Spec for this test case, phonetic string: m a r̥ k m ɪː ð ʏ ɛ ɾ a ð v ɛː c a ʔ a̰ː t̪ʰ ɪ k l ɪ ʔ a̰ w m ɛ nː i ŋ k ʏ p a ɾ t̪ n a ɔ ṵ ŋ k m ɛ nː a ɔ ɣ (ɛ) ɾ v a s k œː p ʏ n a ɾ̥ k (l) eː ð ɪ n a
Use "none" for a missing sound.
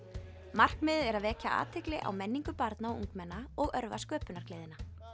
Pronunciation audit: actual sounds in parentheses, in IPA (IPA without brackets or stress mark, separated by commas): œ, l